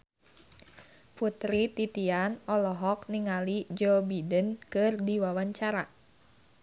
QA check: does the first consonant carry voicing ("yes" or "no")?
no